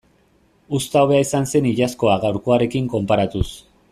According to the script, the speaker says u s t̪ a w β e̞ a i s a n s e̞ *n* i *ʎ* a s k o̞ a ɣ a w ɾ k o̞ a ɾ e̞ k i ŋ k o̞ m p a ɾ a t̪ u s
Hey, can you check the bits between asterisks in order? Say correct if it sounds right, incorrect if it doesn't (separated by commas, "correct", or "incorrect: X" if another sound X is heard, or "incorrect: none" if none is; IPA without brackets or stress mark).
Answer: correct, correct